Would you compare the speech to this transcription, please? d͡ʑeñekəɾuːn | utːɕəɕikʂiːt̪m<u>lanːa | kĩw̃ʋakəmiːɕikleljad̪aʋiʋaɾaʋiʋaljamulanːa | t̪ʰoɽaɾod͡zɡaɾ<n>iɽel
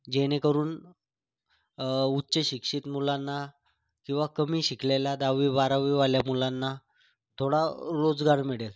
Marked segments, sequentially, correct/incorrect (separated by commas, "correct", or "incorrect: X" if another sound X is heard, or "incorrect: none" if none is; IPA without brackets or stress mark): correct, incorrect: m